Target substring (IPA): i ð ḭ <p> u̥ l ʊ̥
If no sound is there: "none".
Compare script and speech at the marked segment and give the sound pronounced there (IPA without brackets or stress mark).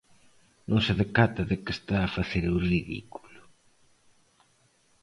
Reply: k